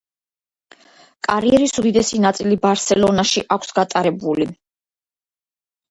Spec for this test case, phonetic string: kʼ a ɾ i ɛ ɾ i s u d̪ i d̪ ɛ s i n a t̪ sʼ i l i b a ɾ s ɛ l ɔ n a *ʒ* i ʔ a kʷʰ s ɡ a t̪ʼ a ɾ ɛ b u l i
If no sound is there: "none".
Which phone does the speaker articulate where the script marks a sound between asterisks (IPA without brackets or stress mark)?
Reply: ʃ